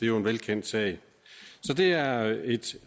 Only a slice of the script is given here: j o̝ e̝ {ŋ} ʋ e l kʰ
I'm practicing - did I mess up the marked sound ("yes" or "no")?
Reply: yes